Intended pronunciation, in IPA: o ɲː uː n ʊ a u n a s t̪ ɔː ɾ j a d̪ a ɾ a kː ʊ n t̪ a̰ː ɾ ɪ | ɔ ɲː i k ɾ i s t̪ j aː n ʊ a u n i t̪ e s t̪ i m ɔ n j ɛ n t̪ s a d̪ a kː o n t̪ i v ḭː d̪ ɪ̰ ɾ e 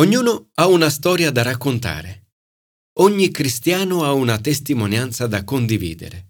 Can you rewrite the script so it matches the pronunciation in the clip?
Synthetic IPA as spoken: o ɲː uː n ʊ a u n a s t̪ ɔː ɾ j a d̪ a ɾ a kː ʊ n t̪ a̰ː ɾ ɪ | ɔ ɲː i k ɾ i s t̪ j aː n ʊ a u n a t̪ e s t̪ i m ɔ n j a n t̪ s a d̪ a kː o n d̪ i v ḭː d̪ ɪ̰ ɾ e